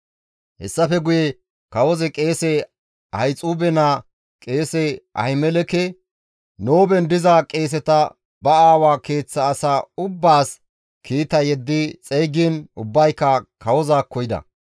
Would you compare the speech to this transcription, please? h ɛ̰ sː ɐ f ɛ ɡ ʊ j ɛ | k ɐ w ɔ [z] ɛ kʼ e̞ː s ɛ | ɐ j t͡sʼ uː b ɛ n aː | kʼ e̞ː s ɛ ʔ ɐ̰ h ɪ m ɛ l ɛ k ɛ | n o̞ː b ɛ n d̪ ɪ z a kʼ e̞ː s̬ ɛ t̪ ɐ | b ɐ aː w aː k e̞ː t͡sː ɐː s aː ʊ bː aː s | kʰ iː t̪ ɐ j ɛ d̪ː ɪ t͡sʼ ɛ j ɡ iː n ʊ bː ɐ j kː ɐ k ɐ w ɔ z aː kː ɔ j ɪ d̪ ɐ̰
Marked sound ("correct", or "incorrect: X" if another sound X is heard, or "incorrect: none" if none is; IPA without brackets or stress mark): correct